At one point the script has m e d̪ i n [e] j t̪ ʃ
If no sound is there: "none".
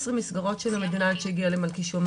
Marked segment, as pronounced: a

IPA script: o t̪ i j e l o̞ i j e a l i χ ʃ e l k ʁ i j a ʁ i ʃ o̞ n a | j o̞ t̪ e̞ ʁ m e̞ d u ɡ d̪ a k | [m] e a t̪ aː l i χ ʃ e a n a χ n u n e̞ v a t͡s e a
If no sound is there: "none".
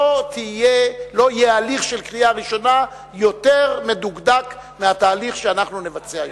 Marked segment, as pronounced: m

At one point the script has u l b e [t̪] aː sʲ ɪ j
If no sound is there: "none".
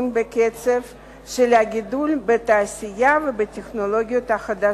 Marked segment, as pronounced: t̪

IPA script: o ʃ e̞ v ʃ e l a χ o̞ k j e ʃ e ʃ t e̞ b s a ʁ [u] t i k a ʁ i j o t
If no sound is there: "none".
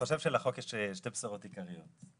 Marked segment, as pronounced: o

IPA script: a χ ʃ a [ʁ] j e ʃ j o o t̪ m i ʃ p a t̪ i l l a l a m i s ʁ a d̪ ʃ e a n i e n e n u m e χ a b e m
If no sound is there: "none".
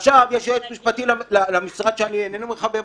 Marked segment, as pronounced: v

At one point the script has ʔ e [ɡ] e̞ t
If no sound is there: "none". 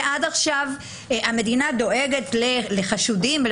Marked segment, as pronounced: ɡ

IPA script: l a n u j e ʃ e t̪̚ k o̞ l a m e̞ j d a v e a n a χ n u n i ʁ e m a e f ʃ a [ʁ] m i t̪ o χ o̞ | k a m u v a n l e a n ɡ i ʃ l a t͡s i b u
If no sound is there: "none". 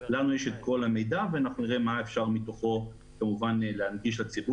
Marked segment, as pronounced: ʁ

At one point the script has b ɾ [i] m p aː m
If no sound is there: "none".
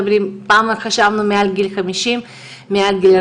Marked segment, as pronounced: i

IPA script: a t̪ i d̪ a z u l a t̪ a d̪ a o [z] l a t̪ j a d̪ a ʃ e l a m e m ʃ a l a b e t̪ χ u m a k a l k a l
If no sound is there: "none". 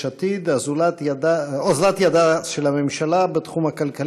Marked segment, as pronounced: z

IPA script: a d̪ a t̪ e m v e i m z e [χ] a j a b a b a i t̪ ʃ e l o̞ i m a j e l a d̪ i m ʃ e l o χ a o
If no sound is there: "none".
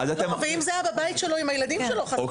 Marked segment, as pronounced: none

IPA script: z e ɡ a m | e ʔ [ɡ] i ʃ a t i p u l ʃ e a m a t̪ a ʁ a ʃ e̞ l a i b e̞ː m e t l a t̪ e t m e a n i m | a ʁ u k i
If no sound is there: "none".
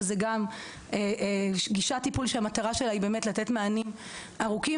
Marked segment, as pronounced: ɡ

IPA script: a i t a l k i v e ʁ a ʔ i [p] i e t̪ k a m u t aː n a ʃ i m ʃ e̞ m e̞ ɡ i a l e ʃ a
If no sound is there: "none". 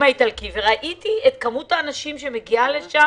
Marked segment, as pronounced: t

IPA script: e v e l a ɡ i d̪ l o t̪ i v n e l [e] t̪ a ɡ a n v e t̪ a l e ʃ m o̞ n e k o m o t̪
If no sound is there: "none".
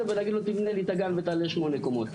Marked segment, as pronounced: i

